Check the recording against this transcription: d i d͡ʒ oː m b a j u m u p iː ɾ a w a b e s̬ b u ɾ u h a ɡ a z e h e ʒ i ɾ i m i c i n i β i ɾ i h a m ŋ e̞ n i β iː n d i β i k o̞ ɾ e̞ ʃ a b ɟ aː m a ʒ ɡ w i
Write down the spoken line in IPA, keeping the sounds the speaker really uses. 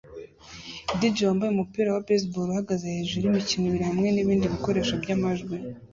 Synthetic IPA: d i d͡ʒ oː m b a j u m u p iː ɾ a w a b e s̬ b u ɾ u h a ɡ a z e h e ʒ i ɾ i m i c i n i β i ɾ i h a m ŋ e̞ n i β iː n d i β i k o̞ ɾ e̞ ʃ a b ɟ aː m a ʒ ɡ w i